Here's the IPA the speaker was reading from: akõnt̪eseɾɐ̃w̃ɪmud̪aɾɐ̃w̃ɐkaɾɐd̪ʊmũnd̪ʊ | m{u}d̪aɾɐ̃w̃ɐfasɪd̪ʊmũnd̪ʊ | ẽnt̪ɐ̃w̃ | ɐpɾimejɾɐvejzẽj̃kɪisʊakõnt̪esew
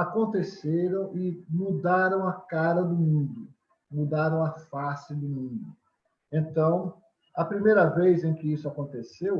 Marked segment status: correct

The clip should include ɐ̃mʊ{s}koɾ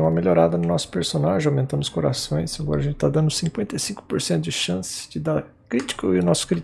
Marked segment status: correct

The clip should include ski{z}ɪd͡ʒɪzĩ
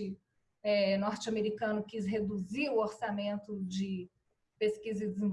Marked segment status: correct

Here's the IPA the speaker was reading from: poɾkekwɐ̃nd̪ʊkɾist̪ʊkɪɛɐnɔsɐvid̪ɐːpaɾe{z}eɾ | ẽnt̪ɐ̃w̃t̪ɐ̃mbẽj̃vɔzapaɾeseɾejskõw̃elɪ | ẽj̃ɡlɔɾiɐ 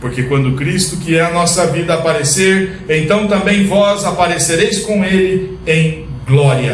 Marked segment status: incorrect: s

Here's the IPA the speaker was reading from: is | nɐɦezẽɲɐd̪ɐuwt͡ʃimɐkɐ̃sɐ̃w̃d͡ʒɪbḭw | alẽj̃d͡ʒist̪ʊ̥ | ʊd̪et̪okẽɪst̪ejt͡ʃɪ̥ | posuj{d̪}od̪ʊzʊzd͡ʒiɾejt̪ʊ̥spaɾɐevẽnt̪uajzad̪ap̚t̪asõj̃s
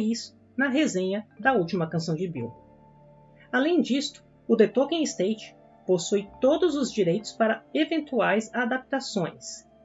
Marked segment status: incorrect: t̪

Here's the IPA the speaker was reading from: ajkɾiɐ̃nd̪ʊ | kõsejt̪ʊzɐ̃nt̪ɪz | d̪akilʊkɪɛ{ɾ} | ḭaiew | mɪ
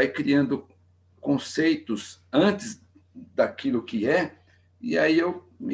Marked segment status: incorrect: none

